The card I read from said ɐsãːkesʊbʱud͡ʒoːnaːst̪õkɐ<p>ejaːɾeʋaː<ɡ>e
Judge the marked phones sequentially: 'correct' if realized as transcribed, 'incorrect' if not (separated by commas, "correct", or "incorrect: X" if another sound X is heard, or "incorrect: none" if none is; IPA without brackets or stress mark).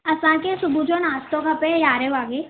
correct, correct